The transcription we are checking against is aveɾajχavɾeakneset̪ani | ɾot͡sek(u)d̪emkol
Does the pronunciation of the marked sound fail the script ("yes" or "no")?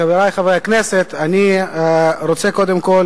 yes